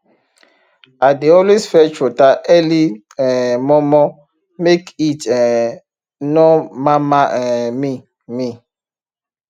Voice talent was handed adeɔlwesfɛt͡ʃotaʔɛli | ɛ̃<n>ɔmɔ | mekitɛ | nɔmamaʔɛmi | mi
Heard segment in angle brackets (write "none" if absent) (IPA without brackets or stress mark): m